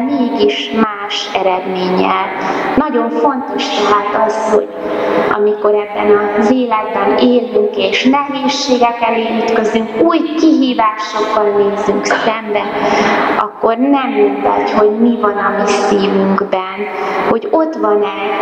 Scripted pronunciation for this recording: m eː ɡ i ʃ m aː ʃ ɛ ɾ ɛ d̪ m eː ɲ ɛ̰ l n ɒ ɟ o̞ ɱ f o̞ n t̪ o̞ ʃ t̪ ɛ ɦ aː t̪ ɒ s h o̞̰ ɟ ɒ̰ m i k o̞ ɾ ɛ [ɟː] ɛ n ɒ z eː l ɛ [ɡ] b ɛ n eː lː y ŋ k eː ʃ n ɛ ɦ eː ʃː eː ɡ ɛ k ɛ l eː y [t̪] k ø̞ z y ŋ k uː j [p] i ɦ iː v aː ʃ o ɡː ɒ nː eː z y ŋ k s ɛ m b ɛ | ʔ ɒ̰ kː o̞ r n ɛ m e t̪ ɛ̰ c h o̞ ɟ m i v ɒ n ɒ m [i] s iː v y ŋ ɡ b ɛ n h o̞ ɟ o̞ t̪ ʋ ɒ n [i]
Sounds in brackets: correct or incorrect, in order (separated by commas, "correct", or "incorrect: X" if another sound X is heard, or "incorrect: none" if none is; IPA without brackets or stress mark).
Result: incorrect: bː, correct, correct, incorrect: k, correct, incorrect: ɛ